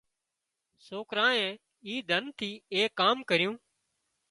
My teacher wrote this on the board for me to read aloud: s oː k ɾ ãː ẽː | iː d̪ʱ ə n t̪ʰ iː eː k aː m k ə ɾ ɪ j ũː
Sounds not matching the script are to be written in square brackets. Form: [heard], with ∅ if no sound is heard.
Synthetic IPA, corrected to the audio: s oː k ɾ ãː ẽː | iː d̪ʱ ə n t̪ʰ iː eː k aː m k ə ɾ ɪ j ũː